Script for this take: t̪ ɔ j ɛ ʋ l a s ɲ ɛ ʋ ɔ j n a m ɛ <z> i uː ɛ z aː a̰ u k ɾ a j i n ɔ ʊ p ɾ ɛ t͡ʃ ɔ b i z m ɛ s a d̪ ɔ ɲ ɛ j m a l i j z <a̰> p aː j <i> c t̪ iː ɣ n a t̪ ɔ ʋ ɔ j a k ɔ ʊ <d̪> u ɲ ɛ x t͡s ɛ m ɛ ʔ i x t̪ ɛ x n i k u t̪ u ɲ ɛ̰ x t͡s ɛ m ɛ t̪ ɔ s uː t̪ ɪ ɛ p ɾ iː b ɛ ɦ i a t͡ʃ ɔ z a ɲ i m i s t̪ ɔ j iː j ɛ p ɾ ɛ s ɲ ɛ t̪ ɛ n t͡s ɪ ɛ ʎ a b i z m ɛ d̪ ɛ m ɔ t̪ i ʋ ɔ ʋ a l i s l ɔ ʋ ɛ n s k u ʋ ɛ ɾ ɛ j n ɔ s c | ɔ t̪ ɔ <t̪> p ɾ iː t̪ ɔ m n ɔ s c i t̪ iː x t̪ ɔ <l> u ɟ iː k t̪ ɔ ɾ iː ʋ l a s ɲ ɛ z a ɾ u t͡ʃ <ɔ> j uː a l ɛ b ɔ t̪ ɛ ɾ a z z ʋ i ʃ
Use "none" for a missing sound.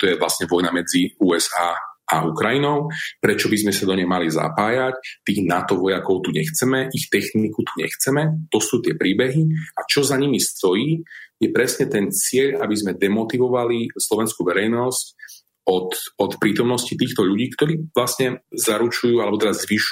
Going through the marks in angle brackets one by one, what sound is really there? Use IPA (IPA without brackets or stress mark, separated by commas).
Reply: d͡z, a̰, a, t̪, t̪, ʎ, u